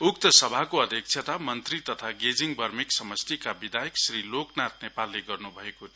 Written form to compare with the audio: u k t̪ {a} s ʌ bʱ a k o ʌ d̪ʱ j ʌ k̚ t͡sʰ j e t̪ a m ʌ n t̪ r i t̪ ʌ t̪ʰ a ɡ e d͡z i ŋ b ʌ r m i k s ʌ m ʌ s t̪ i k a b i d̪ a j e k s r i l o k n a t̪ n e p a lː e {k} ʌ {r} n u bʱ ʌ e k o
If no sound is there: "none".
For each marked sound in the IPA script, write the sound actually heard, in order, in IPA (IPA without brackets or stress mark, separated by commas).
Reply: ʌ, ɡ, r